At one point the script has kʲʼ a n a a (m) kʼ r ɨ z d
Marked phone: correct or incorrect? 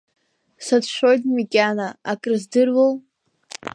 incorrect: none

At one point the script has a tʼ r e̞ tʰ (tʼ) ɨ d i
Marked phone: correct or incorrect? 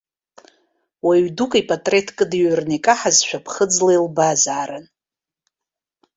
incorrect: kʼ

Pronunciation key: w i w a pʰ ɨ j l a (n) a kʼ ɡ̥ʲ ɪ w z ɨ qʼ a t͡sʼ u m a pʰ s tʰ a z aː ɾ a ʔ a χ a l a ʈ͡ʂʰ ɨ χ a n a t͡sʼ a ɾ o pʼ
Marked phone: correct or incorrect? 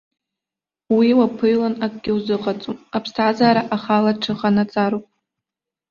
correct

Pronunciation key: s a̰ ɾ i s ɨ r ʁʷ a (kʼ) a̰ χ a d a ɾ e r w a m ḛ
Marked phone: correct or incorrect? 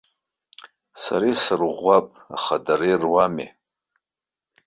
incorrect: pʼ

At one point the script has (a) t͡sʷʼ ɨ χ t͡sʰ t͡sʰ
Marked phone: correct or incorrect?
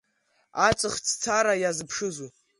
correct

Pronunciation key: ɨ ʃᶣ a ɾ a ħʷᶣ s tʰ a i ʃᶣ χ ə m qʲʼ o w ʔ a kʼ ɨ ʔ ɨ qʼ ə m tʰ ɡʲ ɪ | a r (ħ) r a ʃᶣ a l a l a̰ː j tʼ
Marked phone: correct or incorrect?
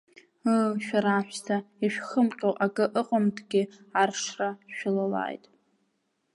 incorrect: ʂ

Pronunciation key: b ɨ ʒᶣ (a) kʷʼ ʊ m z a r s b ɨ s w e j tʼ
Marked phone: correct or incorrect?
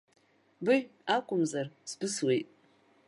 correct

